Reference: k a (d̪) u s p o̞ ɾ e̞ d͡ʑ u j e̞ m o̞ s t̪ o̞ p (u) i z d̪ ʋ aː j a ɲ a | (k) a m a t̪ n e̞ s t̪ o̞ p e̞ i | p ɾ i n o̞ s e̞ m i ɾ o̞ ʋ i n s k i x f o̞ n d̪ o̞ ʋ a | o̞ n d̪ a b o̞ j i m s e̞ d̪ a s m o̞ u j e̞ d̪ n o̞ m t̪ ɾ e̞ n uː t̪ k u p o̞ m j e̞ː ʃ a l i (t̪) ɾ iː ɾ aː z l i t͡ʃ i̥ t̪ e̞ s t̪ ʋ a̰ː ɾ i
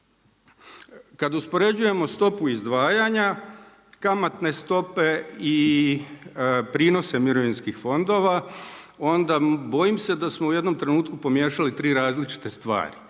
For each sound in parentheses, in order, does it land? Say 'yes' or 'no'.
yes, yes, yes, yes

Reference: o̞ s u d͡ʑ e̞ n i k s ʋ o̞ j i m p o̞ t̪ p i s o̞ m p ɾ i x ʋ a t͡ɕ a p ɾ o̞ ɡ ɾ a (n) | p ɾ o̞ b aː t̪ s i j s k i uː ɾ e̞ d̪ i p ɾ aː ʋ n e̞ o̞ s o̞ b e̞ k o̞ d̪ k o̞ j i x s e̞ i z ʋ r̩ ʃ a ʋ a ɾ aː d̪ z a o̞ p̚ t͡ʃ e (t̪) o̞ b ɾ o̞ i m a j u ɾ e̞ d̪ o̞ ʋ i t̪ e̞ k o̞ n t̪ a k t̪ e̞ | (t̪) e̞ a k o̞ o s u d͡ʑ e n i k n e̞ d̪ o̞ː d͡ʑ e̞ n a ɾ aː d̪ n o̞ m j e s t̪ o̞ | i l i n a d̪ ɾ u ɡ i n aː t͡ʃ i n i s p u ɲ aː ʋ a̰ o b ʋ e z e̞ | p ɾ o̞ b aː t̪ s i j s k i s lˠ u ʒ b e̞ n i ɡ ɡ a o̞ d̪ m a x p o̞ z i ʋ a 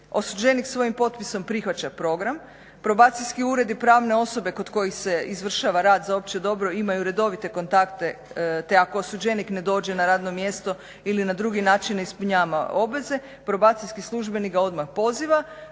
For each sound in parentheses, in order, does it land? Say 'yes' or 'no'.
no, no, yes

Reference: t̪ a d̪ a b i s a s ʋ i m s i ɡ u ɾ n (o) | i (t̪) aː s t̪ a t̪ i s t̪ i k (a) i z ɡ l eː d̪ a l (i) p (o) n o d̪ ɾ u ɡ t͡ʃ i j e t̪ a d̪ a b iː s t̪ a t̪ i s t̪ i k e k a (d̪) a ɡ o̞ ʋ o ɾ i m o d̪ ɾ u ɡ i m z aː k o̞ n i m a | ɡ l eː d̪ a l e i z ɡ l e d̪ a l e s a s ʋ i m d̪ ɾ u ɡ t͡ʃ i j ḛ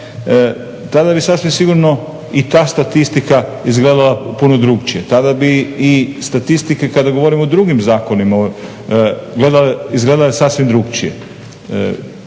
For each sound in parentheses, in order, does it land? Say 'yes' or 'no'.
yes, yes, yes, no, no, yes

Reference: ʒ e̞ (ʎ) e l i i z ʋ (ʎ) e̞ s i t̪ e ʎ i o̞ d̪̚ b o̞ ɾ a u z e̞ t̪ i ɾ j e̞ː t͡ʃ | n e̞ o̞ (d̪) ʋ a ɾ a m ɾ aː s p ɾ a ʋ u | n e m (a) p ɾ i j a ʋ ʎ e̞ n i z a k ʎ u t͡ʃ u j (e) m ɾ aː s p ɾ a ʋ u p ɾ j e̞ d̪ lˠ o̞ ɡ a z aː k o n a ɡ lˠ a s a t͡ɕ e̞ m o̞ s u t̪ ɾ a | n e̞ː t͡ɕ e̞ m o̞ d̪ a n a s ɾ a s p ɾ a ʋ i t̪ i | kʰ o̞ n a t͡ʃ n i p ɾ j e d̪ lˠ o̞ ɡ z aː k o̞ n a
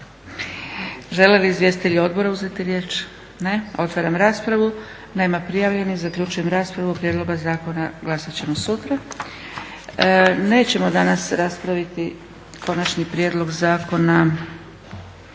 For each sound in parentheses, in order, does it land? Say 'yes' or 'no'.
no, no, no, yes, yes

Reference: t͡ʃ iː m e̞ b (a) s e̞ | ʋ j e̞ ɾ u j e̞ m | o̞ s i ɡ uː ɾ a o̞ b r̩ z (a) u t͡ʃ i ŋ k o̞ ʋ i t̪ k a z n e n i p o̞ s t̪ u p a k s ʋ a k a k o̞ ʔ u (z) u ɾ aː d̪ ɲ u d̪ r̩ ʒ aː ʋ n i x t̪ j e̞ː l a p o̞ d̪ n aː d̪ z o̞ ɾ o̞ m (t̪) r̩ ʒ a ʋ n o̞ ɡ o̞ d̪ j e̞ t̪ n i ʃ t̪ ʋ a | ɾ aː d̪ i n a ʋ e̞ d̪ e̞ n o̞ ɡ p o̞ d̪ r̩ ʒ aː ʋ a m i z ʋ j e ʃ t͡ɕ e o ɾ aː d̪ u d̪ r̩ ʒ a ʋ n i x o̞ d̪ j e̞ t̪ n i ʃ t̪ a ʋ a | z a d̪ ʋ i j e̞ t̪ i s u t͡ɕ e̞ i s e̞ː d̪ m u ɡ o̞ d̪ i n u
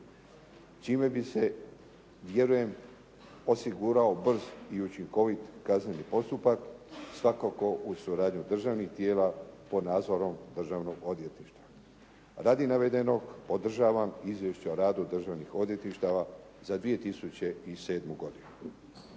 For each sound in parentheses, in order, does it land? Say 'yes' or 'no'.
no, no, no, no

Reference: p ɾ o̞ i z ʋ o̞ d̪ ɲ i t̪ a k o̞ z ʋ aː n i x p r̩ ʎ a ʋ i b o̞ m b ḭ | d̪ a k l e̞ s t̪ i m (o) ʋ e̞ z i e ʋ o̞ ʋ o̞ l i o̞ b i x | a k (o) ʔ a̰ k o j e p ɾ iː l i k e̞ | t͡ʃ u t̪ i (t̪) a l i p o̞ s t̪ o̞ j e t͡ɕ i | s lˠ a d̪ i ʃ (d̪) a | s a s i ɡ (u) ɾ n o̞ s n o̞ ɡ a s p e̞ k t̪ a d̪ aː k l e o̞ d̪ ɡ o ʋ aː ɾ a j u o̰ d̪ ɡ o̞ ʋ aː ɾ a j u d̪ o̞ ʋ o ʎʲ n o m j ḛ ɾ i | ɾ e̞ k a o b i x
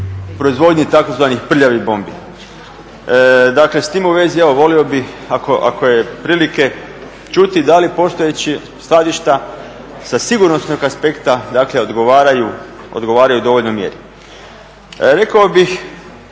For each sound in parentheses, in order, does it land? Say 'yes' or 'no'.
no, yes, no, no, yes

